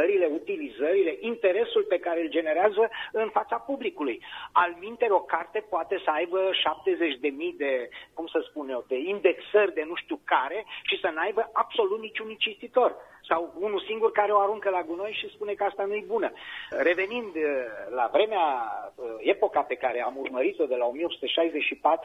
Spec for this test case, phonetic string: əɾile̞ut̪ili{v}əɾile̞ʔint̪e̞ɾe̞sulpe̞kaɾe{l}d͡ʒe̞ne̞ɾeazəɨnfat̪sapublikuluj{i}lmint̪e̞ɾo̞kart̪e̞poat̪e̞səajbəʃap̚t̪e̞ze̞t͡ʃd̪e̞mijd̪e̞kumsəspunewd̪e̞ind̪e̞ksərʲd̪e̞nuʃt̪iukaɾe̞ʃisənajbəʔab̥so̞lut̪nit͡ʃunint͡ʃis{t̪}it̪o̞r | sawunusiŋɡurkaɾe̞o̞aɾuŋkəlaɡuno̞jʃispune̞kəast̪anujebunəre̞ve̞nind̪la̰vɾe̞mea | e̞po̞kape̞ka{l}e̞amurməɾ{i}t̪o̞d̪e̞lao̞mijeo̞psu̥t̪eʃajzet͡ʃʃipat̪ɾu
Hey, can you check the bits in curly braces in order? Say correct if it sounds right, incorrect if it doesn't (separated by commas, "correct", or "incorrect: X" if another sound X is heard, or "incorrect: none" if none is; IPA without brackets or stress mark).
incorrect: z, correct, incorrect: a, correct, incorrect: ɾ, correct